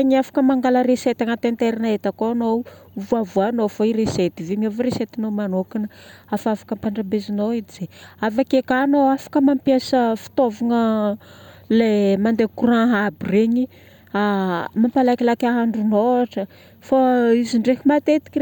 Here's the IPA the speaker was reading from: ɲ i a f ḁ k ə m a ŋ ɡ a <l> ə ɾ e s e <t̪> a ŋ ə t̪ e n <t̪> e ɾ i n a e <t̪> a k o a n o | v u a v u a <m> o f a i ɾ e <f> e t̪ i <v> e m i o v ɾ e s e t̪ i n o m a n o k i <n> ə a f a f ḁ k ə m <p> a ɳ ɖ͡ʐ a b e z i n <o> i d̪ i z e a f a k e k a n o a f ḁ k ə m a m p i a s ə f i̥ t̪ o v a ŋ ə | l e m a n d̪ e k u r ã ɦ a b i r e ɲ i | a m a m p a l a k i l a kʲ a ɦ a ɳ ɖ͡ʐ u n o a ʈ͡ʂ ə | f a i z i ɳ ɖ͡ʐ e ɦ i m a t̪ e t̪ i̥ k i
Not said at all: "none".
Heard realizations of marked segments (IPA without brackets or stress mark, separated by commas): l, t̪, t̪, t̪, n, s, v, n, p, o